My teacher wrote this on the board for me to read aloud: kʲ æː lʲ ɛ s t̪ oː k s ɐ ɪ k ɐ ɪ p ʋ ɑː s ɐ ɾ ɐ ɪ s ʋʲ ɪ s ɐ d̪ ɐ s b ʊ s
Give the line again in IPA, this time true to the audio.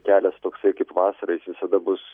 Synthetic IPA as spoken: kʲ æː lʲ ɛ s t̪ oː k s ɐ ɪ k ɐ ɪ p ʋ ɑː s ɐ ɾ ɐ ɪ s ʋʲ ɪ s ɐ d̪ ɐ b ʊ s